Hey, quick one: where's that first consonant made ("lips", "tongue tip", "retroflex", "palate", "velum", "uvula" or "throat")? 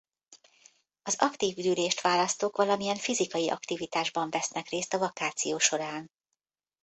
tongue tip